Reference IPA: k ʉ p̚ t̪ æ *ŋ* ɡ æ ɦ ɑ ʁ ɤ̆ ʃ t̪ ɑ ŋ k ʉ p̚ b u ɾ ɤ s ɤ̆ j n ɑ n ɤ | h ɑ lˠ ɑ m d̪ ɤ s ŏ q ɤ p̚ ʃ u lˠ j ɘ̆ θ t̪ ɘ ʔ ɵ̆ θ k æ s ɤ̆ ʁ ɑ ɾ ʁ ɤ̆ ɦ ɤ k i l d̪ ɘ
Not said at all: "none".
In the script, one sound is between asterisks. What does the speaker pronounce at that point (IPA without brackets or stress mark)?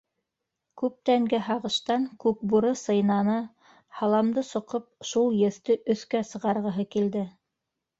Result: ŋ